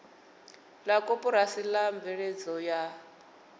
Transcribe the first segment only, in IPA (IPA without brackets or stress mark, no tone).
l